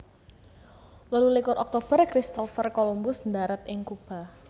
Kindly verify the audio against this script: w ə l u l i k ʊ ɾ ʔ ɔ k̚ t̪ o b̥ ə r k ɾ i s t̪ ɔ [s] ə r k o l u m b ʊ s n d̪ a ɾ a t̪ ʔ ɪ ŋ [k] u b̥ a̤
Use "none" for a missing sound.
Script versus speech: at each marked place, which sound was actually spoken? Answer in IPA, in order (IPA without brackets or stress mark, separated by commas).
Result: f, k